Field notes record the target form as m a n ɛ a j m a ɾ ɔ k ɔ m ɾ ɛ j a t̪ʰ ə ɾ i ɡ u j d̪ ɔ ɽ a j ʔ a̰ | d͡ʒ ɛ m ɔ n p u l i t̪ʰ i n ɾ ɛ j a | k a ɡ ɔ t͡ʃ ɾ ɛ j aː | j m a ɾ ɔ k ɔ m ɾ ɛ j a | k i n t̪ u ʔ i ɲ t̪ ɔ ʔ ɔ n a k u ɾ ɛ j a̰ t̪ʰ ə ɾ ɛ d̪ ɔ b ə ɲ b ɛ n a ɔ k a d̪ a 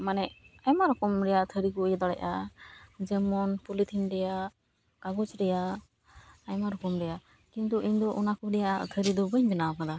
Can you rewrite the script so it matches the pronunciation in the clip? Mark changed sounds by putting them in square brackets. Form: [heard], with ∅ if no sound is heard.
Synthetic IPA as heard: m a n ɛ a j m a ɾ ɔ k ɔ m ɾ ɛ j a t̪ʰ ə ɾ i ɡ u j d̪ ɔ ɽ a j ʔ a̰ | d͡ʒ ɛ m ɔ n p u l i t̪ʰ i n ɾ ɛ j a | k a ɡ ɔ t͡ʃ ɾ ɛ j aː | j m a ɾ ɔ k ɔ m ɾ ɛ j a | k i n t̪ u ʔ i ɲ [d̪] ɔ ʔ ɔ n a k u ɾ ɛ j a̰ t̪ʰ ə ɾ [i] d̪ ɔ b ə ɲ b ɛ n a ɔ k a d̪ a